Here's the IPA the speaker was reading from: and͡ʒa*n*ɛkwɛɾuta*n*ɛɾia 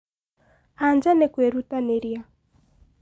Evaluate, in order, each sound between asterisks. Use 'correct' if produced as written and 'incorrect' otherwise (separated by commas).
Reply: correct, correct